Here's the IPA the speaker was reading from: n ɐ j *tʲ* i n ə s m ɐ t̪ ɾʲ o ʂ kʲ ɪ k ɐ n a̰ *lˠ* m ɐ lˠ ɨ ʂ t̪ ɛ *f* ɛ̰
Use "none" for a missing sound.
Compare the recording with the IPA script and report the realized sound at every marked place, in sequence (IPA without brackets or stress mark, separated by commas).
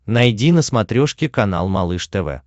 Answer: dʲ, lˠ, v